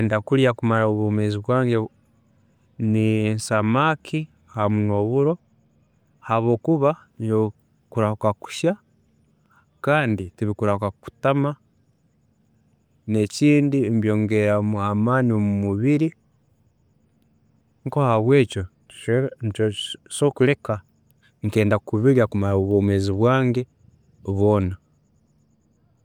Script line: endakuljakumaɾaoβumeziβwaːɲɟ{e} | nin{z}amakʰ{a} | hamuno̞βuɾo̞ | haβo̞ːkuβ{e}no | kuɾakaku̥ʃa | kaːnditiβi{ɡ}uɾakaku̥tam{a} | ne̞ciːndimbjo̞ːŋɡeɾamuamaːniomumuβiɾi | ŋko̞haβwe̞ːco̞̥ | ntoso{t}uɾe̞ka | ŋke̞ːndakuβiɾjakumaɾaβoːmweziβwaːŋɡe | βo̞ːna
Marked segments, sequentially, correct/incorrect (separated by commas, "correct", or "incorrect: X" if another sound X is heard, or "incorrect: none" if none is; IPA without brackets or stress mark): correct, incorrect: s, incorrect: i, incorrect: a, incorrect: k, correct, incorrect: k